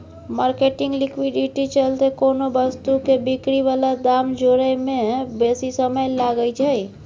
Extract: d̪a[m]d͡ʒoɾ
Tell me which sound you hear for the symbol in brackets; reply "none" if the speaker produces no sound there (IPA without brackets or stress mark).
m